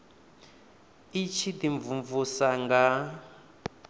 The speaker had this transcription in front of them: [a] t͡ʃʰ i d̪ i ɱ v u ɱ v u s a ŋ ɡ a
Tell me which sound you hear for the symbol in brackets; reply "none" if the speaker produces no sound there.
i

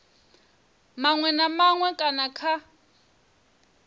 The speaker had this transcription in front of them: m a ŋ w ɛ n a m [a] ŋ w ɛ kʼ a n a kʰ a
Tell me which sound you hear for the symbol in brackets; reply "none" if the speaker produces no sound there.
a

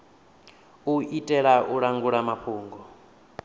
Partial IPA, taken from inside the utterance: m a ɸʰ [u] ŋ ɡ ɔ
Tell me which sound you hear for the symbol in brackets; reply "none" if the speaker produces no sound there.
uː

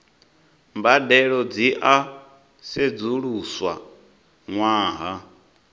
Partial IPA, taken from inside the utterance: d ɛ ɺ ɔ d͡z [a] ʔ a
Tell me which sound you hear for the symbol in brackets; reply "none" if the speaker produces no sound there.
i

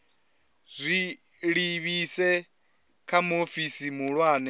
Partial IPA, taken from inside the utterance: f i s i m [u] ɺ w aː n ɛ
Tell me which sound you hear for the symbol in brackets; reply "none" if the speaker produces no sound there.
u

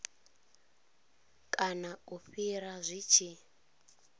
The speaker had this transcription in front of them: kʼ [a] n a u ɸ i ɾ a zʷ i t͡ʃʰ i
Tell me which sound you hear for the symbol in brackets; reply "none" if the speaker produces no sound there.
a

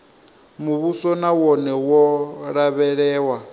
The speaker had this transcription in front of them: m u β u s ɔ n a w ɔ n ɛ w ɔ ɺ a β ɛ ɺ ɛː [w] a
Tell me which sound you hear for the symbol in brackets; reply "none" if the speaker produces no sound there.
w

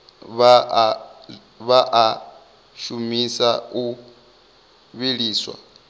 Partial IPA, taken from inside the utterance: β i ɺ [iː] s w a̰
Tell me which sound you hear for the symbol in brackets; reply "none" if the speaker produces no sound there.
iː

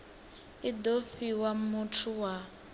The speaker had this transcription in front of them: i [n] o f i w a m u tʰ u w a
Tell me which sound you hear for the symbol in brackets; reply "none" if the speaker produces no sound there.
d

